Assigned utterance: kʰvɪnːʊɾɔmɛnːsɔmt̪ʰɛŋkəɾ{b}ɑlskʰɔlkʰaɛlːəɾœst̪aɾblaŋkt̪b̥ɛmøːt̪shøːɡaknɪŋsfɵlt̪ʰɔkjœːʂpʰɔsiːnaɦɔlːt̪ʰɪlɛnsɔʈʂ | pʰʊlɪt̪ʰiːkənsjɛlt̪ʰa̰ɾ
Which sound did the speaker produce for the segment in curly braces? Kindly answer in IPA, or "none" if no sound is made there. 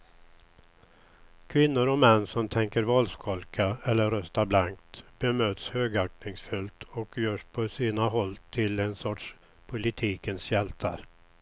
v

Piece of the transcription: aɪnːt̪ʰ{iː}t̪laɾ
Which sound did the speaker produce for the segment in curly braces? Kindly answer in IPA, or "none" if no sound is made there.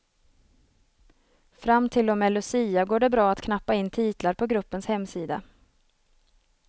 iː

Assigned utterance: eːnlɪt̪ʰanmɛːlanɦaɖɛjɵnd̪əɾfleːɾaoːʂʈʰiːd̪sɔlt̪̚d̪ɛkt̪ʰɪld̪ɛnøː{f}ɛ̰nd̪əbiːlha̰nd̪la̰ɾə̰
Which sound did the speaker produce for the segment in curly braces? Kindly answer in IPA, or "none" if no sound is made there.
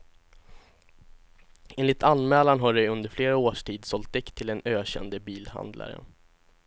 ɕ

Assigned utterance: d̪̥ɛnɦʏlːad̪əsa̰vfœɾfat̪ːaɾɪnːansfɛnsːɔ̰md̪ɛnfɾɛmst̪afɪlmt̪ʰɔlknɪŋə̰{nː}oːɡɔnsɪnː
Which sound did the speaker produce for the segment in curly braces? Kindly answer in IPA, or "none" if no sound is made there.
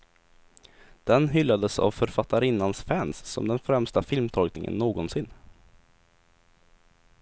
nː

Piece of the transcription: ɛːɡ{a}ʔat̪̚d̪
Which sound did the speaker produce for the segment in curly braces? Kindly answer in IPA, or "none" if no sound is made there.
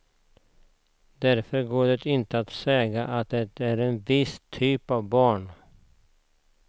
a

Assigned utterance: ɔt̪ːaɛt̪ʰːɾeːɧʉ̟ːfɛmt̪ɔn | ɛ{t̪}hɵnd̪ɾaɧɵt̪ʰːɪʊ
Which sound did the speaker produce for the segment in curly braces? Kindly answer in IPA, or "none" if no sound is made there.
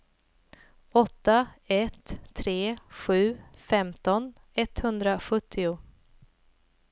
t̪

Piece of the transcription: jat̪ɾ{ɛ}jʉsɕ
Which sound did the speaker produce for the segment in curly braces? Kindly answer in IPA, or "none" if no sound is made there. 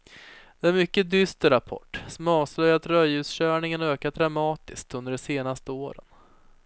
œ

